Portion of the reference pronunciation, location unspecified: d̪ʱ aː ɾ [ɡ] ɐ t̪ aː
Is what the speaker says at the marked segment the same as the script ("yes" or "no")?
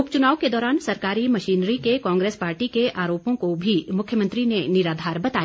no